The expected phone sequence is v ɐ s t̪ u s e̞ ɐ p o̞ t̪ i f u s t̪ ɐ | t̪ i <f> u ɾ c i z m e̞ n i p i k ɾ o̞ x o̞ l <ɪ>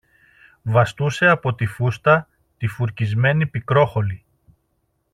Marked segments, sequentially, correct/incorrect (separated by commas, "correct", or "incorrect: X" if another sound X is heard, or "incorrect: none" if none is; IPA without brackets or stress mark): correct, incorrect: i